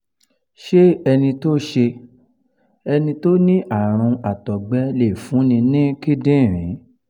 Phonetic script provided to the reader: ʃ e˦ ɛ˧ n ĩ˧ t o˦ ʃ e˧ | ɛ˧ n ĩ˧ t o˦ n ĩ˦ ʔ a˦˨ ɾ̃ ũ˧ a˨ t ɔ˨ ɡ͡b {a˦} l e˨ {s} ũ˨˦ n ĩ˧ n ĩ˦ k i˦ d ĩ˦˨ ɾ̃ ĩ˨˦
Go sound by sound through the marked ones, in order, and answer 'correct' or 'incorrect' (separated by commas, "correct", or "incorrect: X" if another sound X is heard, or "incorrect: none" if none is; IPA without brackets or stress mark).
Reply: incorrect: ɛ˦, incorrect: f